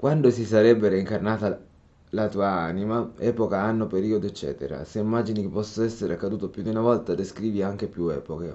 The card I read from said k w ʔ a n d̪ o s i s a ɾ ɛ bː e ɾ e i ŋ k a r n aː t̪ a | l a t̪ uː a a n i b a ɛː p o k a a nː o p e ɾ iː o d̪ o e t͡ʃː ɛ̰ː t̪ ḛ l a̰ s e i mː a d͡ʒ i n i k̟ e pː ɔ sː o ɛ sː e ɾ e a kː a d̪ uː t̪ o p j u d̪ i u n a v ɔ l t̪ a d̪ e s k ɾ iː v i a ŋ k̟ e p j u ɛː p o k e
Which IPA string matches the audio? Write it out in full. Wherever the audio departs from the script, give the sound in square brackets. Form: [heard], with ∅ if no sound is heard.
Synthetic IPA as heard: k w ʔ a n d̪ o s i s a ɾ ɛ bː e ɾ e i ŋ k a r n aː t̪ a | l a t̪ uː a a n i [m] a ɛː p o k a a nː o p e ɾ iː o d̪ o e t͡ʃː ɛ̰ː t̪ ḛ [ɾ] a̰ s e i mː a d͡ʒ i n i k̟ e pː ɔ sː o ɛ sː e ɾ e a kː a d̪ uː t̪ o p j u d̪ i u n a v ɔ l t̪ a d̪ e s k ɾ iː v i a ŋ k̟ e p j u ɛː p o k e